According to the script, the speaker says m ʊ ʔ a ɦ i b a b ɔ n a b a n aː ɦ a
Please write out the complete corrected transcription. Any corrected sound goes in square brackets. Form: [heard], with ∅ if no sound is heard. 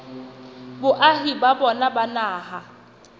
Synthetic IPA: [b] ʊ ʔ a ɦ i b a b ɔ n a b a n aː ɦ a